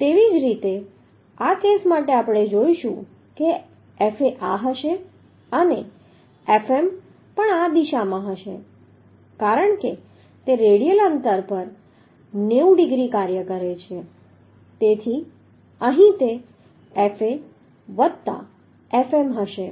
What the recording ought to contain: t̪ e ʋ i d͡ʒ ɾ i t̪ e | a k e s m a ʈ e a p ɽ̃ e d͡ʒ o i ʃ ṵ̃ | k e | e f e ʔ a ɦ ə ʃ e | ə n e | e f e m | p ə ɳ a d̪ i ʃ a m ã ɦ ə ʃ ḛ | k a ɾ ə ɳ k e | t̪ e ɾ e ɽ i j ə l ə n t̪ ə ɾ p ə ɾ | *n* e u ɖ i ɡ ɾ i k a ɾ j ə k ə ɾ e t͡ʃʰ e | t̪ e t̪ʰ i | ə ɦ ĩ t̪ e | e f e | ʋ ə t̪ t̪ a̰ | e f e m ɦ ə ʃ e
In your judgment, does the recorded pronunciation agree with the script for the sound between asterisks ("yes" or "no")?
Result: yes